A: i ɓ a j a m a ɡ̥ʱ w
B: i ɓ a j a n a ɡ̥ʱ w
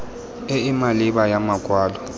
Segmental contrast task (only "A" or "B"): A